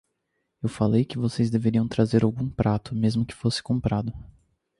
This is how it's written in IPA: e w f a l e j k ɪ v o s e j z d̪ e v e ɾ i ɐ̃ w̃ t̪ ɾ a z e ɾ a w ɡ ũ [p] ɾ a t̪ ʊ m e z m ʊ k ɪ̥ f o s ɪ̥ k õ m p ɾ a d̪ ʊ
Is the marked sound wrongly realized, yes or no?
no